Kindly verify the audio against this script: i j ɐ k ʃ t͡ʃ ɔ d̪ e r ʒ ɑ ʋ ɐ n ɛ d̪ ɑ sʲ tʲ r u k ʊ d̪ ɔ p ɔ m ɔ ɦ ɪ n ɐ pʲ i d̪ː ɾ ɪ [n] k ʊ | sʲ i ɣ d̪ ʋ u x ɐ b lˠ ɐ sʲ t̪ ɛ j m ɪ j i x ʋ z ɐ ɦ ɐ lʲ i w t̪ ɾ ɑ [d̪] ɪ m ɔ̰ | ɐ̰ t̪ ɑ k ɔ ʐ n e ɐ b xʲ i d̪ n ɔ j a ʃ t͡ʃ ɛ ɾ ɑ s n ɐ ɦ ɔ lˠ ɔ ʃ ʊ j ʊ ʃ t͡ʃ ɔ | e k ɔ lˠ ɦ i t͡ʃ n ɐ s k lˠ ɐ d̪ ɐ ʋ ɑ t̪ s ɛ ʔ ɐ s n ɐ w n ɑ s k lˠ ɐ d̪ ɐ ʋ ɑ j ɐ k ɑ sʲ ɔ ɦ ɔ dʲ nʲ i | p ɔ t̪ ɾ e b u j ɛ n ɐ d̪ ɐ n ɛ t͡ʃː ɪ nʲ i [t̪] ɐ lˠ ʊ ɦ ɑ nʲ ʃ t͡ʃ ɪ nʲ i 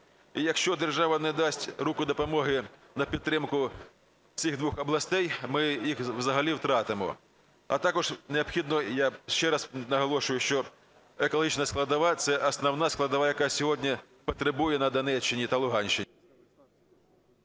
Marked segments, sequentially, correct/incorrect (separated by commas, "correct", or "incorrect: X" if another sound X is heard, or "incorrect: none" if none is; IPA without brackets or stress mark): incorrect: m, incorrect: t̪, correct